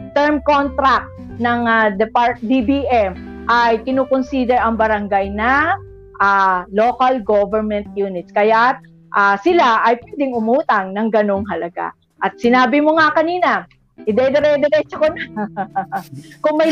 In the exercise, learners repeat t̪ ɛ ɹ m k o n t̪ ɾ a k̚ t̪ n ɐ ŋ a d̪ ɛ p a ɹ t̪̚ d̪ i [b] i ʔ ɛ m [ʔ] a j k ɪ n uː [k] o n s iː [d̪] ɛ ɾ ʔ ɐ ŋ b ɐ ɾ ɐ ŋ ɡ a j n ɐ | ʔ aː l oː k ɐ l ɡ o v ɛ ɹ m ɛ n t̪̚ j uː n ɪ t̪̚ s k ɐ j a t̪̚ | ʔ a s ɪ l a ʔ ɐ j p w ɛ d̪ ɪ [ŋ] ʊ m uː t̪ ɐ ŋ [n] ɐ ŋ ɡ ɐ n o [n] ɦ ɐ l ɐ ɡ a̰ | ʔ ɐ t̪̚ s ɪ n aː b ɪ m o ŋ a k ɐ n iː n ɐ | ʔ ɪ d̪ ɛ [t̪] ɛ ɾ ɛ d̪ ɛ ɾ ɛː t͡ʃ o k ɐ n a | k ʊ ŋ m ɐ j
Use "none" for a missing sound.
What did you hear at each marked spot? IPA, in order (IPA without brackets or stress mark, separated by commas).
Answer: b, ʔ, k, d̪, ŋ, n, ŋ, d̪